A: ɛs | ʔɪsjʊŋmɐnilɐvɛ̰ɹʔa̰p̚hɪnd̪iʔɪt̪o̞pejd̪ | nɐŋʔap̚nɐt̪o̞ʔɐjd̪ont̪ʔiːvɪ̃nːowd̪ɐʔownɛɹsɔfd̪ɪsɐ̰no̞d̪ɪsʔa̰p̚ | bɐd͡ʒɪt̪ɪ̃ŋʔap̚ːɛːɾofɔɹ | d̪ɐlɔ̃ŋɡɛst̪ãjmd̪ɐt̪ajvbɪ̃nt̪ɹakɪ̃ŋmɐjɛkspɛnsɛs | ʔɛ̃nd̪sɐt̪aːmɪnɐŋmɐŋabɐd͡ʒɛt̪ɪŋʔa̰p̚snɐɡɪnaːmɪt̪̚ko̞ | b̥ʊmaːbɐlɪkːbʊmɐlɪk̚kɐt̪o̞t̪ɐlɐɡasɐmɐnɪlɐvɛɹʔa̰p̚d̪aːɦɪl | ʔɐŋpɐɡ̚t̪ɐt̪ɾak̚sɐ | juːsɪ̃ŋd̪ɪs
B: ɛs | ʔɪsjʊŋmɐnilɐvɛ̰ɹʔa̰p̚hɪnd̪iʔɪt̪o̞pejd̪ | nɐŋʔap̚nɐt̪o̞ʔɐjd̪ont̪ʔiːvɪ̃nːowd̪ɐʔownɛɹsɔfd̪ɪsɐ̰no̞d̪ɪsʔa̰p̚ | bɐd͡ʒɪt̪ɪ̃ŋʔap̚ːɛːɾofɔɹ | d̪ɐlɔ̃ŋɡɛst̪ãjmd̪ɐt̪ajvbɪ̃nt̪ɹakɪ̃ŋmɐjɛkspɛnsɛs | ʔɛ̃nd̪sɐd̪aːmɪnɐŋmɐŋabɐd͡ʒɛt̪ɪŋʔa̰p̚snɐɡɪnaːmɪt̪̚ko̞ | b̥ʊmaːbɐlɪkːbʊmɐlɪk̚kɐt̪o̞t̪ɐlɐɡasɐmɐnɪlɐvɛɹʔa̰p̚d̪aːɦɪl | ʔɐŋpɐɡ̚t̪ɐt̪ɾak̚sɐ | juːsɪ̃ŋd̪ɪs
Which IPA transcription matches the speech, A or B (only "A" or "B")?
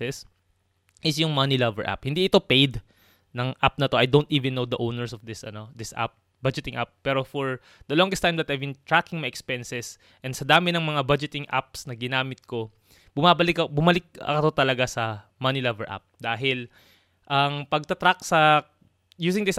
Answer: B